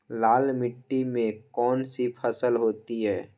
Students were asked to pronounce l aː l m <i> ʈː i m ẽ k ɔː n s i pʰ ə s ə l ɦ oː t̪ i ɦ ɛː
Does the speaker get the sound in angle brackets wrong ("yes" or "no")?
yes